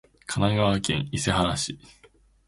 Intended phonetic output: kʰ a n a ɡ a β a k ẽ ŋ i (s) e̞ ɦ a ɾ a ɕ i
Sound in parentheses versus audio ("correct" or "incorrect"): correct